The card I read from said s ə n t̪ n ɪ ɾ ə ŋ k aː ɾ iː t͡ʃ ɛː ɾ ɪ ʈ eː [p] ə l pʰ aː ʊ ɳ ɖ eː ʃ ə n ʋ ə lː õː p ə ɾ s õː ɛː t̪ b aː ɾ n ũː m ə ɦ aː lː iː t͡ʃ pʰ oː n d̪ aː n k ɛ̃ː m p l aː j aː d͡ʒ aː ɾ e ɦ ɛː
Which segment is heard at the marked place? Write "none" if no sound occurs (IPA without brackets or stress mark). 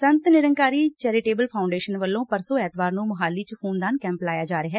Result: b